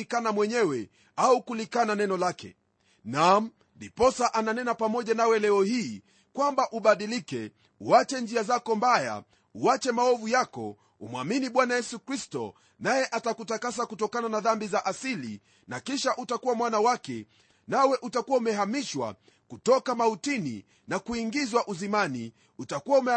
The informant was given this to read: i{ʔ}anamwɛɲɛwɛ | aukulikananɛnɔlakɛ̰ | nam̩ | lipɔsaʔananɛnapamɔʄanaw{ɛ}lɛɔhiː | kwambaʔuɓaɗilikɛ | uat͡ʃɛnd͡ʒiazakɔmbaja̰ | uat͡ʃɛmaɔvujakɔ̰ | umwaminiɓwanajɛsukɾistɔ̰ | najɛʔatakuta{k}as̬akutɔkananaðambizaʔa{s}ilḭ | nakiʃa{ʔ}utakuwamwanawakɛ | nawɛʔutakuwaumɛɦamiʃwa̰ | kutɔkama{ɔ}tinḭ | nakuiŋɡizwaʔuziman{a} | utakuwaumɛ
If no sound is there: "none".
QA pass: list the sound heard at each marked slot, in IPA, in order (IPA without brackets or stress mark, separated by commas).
k, ɛ, k, s, ʔ, u, i